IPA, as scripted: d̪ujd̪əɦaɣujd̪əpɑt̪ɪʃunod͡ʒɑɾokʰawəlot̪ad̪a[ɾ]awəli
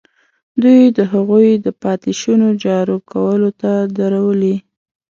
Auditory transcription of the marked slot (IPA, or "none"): ɾ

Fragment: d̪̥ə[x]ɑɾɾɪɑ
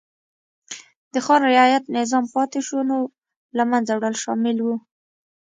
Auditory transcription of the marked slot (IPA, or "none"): x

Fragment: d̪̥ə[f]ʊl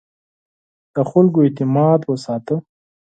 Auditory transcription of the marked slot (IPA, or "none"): x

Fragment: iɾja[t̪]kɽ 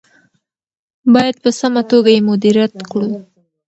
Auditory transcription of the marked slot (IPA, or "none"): t̪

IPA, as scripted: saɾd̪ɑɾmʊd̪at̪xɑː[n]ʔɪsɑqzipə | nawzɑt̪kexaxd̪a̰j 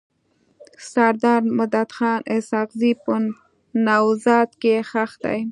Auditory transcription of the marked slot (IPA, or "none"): n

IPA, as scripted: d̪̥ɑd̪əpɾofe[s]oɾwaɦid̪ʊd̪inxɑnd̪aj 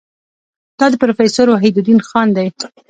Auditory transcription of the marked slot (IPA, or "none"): s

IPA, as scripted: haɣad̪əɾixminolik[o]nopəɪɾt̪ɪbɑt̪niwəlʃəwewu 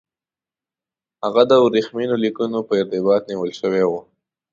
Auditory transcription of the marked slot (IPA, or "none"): u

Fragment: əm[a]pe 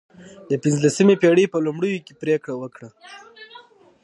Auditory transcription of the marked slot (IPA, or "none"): e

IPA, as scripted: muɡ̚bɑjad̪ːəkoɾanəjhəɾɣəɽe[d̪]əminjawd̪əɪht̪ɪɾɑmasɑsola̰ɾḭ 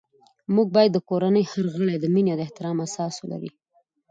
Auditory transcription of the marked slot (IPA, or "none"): d̪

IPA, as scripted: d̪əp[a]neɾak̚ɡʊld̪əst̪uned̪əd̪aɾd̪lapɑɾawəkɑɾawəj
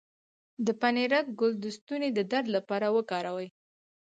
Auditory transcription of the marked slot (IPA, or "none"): a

